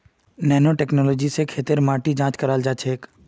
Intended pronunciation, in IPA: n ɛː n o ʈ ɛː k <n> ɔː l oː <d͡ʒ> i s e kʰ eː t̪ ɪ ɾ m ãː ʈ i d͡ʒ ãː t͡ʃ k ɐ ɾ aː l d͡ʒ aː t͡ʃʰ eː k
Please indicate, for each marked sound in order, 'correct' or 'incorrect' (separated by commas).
correct, correct